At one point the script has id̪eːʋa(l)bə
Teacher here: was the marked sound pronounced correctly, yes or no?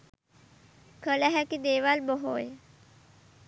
yes